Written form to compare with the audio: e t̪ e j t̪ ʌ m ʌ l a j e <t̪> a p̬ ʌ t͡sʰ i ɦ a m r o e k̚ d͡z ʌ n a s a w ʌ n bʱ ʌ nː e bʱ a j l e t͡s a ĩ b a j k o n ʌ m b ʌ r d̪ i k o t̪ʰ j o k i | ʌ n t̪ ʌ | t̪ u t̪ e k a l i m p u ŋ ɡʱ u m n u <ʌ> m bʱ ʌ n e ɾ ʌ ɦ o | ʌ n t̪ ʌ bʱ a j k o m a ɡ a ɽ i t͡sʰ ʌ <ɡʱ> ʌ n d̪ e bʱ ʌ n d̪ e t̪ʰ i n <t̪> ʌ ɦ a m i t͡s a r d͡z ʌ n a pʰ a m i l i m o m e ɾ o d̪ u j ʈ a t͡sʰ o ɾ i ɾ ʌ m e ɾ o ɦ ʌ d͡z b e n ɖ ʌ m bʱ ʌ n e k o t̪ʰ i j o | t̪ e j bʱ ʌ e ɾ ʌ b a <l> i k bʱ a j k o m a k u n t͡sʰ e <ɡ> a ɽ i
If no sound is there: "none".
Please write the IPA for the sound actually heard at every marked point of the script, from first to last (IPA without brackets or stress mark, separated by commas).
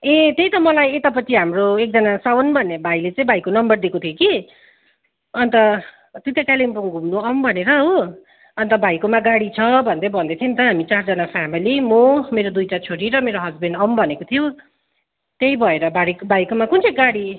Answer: t̪, ʌ, bʱ, t̪, ɽ, ɡ